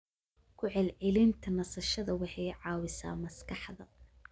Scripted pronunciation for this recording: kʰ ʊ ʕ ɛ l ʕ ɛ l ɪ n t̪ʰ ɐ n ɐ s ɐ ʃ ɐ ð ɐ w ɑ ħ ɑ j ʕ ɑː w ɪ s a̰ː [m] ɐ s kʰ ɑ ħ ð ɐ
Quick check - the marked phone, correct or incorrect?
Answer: correct